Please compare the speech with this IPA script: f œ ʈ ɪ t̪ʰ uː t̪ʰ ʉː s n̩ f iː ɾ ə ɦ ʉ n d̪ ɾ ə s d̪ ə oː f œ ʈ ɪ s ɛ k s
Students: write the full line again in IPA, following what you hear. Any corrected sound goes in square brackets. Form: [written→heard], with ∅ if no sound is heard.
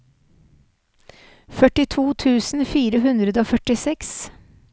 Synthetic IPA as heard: f œ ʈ ɪ t̪ʰ uː t̪ʰ ʉː s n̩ f iː ɾ ə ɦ ʉ n d̪ ɾ ə [s→∅] d̪ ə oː f œ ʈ ɪ s ɛ k s